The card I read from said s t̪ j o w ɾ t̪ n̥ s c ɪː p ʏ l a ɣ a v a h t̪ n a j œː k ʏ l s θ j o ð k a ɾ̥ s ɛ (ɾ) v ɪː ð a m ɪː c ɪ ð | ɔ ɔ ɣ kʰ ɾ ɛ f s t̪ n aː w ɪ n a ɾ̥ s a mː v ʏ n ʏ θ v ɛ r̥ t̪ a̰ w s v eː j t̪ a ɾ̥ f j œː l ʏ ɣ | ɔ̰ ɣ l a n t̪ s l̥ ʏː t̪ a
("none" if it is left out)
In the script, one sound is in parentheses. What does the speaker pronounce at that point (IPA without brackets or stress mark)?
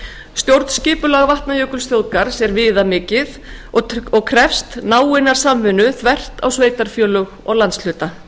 ɾ